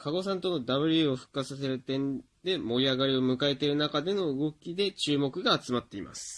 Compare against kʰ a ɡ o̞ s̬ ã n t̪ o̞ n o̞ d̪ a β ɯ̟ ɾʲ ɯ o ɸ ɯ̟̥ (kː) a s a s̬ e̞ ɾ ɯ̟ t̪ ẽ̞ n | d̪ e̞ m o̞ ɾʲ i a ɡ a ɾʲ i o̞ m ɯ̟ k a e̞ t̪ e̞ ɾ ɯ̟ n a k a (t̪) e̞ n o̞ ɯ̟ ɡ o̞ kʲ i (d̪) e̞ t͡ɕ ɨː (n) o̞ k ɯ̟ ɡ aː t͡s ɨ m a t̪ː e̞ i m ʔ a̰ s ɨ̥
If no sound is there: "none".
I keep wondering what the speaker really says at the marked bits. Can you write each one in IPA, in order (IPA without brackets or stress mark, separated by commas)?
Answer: kː, d̪, d̪, m